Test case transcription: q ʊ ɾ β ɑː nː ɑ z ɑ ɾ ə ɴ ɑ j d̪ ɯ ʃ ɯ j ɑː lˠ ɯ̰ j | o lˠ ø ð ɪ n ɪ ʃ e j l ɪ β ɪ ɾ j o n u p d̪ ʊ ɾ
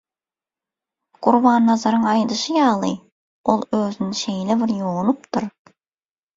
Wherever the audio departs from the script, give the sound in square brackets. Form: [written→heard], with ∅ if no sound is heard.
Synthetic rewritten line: q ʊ ɾ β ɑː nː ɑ z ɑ ɾ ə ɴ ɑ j d̪ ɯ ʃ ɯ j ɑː lˠ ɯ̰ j | o lˠ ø [ð→z] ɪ n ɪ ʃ e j l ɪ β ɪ ɾ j o n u p [d̪→t̪] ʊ ɾ